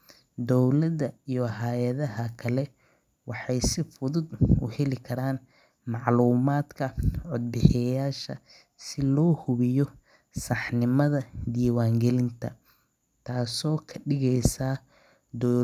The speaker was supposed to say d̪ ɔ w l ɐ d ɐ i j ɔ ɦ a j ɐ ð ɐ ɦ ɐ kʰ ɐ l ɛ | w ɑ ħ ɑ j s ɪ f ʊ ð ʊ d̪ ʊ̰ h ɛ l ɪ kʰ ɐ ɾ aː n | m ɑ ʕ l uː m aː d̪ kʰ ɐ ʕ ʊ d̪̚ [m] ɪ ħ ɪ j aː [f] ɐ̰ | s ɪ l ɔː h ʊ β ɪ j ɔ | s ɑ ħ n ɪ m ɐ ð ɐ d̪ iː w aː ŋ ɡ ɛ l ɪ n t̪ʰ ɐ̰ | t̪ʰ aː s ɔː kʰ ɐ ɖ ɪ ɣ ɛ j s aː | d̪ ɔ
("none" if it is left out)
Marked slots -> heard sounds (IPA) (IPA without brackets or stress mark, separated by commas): b, ʃ